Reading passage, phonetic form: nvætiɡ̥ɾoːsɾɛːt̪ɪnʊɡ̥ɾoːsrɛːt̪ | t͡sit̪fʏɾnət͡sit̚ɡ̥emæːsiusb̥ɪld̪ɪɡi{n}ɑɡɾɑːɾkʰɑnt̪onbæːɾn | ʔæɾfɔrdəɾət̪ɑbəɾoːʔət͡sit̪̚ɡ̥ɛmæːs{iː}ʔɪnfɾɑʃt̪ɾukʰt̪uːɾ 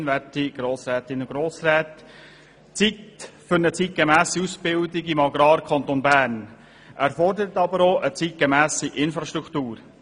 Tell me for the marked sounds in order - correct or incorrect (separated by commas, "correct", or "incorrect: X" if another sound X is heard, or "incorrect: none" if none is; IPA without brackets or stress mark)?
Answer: incorrect: m, incorrect: i